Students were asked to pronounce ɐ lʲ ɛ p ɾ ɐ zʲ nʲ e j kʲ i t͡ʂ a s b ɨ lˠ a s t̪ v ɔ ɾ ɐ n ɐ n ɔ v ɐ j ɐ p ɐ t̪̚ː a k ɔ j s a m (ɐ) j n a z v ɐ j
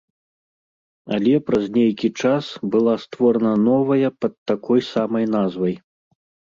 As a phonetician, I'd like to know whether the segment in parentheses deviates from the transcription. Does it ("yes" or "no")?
no